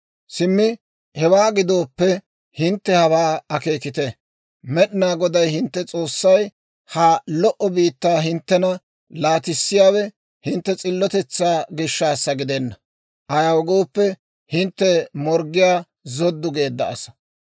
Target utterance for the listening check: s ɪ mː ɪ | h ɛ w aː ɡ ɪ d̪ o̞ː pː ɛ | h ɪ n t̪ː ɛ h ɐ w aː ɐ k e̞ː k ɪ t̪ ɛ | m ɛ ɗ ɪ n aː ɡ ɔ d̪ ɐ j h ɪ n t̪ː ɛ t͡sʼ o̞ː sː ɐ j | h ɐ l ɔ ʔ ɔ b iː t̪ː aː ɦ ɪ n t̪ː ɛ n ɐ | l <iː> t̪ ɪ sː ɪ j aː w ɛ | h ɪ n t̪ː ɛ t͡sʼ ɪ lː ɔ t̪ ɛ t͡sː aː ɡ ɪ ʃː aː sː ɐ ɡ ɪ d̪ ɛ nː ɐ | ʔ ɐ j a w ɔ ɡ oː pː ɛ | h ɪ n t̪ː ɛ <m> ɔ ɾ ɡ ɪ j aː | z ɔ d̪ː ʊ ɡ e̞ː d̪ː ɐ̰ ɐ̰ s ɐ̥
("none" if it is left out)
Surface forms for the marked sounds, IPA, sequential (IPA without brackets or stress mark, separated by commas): aː, m